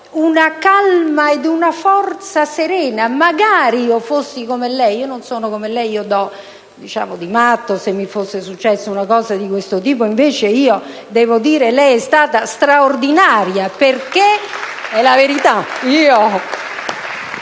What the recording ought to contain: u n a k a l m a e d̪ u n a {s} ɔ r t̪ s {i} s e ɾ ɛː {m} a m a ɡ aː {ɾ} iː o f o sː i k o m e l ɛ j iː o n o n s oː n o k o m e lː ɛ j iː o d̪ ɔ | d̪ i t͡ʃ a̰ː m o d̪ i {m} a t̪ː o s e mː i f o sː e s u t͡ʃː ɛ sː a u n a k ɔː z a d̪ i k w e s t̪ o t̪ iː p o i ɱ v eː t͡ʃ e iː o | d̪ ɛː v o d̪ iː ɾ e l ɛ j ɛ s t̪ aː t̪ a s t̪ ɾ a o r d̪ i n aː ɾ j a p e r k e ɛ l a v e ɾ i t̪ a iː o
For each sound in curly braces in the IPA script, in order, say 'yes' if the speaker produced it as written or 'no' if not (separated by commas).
no, no, no, yes, yes